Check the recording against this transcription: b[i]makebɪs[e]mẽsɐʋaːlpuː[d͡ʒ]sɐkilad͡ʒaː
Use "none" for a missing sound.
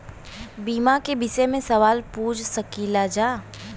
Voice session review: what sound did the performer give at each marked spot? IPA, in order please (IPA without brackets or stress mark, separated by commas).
iː, e, d͡ʒ